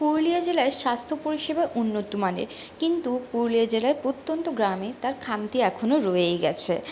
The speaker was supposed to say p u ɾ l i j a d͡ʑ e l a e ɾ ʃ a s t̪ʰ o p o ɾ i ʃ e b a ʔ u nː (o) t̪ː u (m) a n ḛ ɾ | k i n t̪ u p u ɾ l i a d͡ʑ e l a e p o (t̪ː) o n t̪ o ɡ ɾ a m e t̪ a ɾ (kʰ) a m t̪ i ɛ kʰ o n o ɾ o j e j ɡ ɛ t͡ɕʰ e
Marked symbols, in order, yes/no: yes, yes, yes, yes

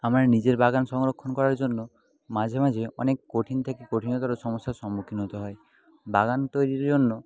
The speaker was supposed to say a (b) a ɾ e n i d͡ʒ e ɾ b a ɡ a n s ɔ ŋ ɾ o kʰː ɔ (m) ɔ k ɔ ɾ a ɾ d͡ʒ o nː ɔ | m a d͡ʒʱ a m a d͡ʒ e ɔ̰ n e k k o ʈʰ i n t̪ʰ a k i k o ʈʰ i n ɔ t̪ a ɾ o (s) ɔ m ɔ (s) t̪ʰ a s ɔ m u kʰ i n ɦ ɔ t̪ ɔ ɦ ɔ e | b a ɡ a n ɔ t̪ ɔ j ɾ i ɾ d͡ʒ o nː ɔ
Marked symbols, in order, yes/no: no, no, yes, yes

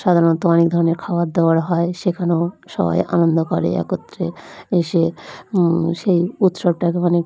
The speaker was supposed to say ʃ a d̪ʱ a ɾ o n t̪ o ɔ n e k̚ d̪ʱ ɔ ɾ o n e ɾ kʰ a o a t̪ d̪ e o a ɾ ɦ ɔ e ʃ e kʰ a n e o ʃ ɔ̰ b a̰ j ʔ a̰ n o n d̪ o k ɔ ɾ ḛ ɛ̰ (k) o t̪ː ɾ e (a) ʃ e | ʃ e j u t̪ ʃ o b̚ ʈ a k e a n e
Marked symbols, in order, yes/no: yes, no

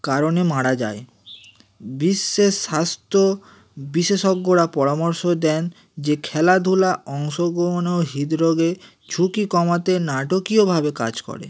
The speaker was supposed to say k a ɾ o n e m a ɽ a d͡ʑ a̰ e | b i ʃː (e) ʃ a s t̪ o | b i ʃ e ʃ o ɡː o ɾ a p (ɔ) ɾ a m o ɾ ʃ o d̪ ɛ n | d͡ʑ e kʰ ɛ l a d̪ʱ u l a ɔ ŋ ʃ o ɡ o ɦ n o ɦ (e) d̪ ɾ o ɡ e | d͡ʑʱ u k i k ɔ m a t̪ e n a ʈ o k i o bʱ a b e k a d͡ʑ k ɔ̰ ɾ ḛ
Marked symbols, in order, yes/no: yes, yes, no

